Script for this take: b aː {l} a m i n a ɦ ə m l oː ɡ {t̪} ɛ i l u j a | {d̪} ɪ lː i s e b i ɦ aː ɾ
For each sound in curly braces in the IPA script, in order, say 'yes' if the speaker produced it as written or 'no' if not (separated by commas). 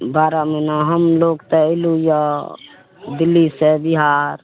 no, yes, yes